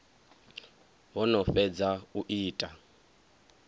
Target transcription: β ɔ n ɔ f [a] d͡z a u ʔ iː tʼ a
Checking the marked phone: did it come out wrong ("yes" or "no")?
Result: yes